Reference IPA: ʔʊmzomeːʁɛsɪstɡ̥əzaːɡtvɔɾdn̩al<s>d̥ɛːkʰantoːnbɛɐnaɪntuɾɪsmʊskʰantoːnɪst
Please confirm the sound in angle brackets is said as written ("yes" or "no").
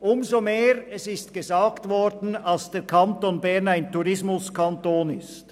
yes